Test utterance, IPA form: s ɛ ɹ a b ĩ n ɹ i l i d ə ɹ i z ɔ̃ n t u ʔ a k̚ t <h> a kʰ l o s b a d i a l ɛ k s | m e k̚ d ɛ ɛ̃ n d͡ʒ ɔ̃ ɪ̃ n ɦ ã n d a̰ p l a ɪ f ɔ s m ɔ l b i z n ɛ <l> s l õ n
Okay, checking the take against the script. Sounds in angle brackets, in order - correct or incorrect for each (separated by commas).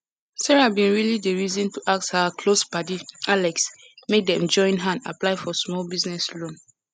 correct, incorrect